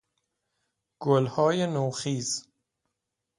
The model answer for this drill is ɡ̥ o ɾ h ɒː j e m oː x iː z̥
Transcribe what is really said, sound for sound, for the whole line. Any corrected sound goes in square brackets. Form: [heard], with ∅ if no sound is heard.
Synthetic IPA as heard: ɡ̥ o [l] h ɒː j e [n] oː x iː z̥